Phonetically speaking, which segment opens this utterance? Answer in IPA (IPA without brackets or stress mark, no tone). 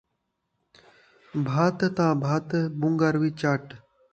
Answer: bʱ